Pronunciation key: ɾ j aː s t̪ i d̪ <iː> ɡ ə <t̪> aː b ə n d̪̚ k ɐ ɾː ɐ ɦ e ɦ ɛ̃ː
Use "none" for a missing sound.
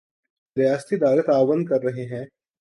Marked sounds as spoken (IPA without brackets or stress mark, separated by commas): aː, t̪